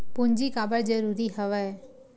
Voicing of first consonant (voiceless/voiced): voiceless